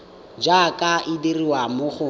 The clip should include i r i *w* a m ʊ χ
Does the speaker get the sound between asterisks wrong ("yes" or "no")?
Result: no